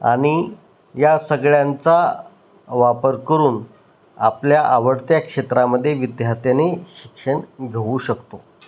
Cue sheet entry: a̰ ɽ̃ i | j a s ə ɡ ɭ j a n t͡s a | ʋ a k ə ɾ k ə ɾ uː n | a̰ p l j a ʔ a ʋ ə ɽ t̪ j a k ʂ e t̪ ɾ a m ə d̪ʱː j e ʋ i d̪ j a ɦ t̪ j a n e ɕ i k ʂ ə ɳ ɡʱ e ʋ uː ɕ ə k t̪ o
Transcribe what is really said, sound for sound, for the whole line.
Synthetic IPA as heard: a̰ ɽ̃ i | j a s ə ɡ ɭ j a n t͡s a | ʋ a p ə ɾ k ə ɾ uː n | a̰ p l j a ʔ a ʋ ə ɽ t̪ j a k ʂ e t̪ ɾ a m ə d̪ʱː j e ʋ i d̪ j a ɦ t̪ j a n e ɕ i k ʂ ə ɳ ɡʱ e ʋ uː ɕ ə k t̪ o